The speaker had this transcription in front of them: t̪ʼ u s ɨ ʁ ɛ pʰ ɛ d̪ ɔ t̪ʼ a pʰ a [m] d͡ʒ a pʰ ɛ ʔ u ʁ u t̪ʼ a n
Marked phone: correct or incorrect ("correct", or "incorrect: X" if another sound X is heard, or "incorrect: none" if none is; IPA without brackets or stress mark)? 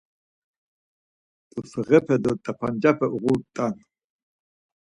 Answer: incorrect: n